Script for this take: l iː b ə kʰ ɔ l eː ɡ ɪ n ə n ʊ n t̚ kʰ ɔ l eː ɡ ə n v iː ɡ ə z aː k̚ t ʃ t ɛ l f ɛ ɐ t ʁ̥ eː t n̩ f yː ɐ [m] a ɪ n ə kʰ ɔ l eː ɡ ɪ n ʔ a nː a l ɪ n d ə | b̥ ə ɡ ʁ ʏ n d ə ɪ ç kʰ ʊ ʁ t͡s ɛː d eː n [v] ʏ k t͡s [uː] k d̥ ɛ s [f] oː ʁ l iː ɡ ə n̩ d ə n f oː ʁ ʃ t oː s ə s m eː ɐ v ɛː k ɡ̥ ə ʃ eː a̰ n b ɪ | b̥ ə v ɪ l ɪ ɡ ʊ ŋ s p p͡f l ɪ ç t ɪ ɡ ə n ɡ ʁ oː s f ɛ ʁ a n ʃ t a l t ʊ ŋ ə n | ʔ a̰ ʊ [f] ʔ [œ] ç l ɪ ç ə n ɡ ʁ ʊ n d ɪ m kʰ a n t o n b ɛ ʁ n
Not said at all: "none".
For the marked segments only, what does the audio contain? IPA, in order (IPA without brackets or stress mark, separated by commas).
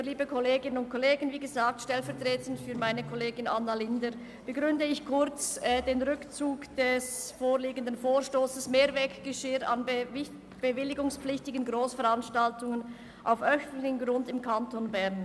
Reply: m, ʁ, uː, f, f, œ